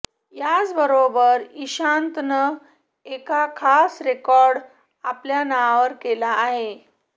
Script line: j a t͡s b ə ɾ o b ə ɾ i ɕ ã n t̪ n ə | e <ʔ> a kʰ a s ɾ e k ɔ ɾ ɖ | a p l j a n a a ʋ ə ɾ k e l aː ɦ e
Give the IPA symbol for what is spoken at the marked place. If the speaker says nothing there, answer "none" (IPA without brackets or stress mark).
k